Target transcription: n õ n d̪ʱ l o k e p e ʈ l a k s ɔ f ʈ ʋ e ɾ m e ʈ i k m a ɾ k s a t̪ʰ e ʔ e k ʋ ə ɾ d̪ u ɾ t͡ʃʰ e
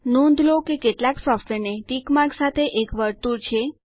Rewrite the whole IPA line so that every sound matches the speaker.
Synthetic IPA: n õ n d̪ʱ l o k e k e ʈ l a k s ɔ f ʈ ʋ e ɾ n e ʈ i k m a ɾ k s a t̪ʰ e ʔ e k ʋ ə ɾ t̪ u ɾ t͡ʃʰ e